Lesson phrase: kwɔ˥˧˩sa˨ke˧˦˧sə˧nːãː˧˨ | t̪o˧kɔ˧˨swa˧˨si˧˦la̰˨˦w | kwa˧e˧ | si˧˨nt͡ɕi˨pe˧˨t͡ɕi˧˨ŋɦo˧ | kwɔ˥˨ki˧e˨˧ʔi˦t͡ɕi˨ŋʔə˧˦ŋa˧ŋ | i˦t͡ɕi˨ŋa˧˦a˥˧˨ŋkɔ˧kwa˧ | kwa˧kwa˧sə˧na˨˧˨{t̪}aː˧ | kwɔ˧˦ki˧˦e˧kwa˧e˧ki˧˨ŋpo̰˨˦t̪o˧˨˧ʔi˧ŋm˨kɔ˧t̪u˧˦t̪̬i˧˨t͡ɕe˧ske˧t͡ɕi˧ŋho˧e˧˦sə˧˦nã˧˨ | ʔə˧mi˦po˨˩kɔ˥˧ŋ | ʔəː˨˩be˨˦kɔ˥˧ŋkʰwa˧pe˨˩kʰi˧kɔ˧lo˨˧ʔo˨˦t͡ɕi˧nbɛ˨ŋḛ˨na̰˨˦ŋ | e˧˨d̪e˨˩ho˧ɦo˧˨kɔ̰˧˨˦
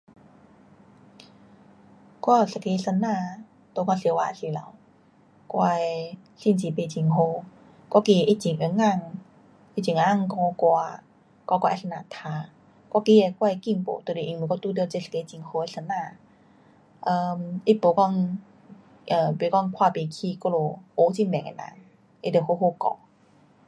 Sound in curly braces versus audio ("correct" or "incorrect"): incorrect